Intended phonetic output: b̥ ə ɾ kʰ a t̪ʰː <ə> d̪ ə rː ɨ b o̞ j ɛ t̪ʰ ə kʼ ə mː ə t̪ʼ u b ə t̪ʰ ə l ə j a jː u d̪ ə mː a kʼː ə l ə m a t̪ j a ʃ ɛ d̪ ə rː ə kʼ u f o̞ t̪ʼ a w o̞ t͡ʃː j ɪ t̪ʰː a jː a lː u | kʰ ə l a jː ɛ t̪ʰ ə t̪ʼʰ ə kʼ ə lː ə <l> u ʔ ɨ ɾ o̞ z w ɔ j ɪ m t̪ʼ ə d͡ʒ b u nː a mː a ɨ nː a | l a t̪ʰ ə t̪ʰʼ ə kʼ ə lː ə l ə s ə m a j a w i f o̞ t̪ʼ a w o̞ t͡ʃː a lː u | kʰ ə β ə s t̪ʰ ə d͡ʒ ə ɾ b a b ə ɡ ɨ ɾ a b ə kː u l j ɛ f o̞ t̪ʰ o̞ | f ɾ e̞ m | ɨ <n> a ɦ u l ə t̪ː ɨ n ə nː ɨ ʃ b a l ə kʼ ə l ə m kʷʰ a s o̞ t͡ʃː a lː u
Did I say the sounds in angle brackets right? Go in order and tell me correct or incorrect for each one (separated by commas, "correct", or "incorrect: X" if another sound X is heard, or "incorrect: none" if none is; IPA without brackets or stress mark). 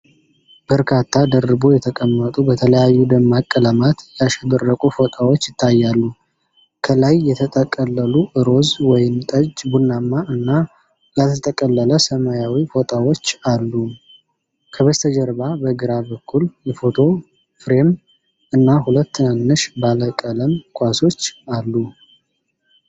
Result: incorrect: a, correct, incorrect: nː